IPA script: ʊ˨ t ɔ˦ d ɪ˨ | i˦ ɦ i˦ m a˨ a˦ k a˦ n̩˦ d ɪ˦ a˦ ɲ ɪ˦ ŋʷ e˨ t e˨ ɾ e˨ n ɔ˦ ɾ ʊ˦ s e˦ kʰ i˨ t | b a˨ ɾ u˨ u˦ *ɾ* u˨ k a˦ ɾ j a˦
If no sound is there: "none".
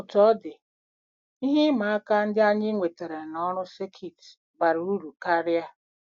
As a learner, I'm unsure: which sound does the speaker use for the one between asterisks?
ɾ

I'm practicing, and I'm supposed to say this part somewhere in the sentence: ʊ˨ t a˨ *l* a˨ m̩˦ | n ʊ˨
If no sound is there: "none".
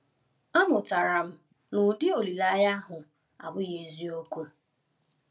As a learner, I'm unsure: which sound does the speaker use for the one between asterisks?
ɾ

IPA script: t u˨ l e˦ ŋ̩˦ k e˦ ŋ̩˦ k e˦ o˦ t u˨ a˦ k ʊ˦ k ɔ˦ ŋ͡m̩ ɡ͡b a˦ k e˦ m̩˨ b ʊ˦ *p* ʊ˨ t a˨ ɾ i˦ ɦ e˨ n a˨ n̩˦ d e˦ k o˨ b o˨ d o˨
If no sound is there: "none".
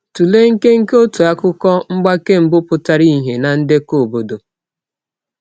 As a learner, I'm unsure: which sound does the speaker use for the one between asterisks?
p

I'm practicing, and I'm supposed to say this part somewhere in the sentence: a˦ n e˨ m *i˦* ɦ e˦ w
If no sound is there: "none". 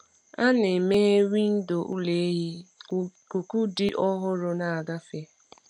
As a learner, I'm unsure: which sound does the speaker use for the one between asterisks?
e˦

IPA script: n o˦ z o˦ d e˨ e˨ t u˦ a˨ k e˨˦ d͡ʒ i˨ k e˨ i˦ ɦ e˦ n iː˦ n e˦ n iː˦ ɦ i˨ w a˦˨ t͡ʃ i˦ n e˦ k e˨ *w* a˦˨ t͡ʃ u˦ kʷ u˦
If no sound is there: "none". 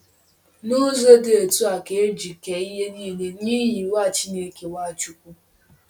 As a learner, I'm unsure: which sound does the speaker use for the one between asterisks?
w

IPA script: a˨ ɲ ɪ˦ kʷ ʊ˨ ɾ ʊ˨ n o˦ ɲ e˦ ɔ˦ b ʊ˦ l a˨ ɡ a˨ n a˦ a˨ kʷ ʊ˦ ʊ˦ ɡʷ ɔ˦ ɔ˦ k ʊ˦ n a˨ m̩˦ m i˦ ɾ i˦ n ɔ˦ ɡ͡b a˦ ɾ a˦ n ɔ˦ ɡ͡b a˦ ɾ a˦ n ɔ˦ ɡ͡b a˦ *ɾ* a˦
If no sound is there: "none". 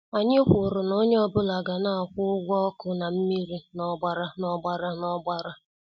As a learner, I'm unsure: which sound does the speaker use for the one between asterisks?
ɾ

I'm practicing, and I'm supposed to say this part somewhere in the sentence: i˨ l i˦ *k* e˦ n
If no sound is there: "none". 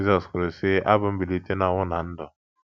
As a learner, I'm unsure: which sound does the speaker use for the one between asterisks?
t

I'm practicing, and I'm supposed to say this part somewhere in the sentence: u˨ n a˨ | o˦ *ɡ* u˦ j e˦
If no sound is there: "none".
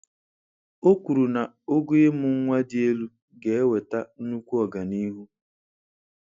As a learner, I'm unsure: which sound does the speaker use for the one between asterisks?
ɡ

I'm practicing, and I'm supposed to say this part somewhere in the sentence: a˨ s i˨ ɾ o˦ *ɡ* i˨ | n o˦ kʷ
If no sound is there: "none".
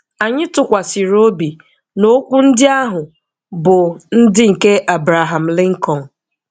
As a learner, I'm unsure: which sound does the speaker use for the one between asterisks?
b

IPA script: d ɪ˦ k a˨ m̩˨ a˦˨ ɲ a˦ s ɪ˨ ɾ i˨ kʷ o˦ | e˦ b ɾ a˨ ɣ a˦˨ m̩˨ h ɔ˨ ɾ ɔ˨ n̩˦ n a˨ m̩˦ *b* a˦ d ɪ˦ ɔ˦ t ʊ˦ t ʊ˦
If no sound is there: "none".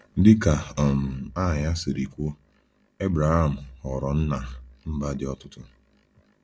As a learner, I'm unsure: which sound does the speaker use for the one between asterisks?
b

